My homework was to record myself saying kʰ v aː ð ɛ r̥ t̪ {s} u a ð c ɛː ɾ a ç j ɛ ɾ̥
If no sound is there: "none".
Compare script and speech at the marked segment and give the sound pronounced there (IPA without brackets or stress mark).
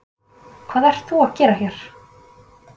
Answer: θ